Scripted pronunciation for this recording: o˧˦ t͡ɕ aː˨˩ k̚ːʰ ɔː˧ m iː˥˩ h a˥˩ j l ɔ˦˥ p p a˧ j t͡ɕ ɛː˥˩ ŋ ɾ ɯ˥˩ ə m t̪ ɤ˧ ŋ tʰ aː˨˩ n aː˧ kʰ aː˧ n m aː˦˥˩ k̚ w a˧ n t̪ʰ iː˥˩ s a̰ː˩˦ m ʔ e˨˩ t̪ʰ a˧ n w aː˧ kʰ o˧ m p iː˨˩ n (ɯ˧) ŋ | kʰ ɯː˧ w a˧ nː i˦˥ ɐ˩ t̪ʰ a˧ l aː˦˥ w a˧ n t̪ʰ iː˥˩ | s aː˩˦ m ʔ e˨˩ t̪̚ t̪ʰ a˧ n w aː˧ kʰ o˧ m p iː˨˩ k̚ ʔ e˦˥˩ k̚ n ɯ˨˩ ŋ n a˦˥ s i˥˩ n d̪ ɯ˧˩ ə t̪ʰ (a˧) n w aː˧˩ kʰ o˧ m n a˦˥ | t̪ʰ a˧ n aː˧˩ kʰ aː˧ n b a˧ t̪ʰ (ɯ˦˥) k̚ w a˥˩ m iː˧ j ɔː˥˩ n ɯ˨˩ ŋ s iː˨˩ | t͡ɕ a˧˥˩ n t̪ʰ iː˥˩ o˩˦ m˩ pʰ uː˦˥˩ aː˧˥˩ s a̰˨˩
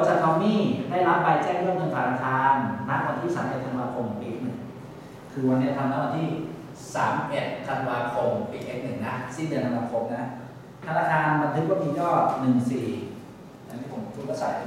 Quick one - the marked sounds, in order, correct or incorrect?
incorrect, correct, correct

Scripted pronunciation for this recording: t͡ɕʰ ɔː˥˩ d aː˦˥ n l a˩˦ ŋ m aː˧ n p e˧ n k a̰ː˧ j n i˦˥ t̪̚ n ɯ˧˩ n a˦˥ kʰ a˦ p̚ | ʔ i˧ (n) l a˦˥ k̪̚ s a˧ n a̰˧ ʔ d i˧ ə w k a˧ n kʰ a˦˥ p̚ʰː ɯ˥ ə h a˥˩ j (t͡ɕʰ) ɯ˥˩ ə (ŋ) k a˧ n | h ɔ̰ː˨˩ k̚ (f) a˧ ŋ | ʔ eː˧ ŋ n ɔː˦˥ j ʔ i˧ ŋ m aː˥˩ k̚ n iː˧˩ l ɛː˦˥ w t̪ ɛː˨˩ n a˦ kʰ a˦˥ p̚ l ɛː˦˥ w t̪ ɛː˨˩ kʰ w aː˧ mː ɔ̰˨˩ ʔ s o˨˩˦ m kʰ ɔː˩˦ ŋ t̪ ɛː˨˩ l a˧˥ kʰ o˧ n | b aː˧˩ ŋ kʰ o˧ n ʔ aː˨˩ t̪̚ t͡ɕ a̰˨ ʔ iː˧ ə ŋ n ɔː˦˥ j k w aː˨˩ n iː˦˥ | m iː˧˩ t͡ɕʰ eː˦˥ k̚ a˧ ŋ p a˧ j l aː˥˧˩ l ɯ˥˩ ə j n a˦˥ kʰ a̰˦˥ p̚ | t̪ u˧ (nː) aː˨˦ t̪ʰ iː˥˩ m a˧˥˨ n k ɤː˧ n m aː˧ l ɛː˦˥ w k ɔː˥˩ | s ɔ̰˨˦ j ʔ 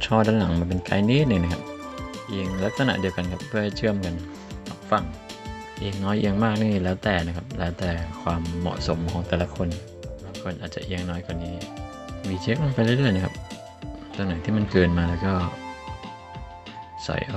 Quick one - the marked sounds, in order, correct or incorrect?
incorrect, correct, incorrect, correct, incorrect

